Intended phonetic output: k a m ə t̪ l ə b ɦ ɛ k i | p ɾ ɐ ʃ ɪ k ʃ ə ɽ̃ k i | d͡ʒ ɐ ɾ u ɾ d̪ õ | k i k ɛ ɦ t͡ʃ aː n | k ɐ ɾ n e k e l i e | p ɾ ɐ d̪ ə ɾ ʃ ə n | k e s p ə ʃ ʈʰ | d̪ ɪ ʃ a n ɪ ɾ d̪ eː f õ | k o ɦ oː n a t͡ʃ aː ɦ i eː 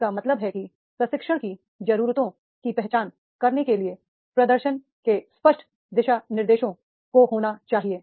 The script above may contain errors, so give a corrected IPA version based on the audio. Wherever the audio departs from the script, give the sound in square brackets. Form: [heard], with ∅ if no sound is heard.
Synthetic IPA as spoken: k a m [ɐ] t̪ l ə b ɦ ɛ k i | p ɾ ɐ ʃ ɪ k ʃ ə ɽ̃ k i | d͡ʒ ɐ ɾ [uː] ɾ [t̪] õ | k i [p] ɛ ɦ t͡ʃ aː n | k ɐ ɾ n e k e l i e | p ɾ ɐ d̪ ə ɾ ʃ ə n | k e s p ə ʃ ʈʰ | d̪ ɪ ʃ a n ɪ ɾ d̪ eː [ʃ] õ | k o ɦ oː n a t͡ʃ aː ɦ i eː